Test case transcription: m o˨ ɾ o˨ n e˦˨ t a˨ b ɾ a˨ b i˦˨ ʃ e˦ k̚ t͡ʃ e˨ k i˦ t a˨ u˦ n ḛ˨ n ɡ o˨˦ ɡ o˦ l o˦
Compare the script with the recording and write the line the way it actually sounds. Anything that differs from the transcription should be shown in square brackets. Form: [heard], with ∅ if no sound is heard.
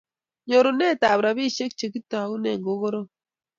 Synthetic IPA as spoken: [ɲ] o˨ ɾ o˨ n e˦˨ t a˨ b ɾ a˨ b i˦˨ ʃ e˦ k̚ t͡ʃ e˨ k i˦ t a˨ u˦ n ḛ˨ [ŋ] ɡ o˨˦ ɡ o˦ [ɾ] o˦